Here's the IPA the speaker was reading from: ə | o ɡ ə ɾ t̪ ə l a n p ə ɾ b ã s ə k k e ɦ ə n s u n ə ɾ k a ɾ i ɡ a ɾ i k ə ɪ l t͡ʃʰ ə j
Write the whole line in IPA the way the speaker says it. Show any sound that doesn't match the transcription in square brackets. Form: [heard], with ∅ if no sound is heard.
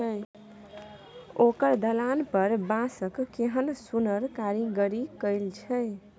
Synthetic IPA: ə | o [k] ə ɾ [d̪] ə l a n p ə ɾ b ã s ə k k e ɦ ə n s u n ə ɾ k a ɾ i ɡ [ə] ɾ i k ə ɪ l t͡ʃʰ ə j